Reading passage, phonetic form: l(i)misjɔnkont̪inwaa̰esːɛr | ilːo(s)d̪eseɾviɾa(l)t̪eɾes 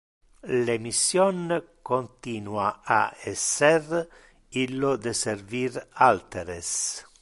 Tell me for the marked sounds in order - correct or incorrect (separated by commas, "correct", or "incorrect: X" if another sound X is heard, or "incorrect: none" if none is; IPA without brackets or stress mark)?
incorrect: e, incorrect: none, correct